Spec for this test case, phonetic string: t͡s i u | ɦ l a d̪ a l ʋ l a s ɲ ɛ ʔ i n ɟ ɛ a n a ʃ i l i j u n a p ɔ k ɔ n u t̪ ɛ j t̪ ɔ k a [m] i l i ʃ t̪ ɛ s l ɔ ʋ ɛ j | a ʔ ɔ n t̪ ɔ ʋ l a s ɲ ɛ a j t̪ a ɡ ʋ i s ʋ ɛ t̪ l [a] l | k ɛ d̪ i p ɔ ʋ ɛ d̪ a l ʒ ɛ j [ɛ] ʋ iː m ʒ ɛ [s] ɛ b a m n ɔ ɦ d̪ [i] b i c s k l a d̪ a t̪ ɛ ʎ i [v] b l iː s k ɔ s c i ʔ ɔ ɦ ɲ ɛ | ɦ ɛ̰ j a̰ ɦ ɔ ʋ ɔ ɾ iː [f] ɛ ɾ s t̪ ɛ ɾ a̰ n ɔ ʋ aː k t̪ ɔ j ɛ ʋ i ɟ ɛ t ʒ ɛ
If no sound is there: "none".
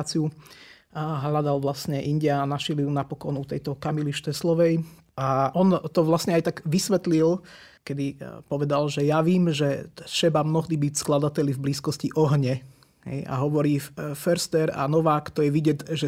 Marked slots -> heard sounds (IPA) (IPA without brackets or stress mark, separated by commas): m, i, a, ʃ, i, v, f